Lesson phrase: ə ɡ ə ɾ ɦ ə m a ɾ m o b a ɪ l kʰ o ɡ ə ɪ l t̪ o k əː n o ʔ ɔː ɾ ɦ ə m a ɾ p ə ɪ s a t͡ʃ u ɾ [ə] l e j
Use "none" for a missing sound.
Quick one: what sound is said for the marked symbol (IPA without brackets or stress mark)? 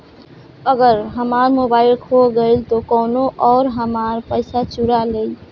a